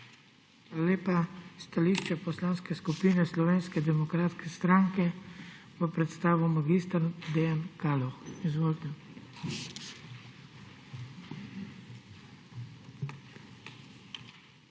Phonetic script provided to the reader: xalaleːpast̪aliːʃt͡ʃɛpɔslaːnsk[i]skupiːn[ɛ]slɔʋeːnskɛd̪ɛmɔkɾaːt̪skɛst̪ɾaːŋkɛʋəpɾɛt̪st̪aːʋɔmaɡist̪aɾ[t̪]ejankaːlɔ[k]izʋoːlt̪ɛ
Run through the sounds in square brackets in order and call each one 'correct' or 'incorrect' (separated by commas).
incorrect, correct, incorrect, incorrect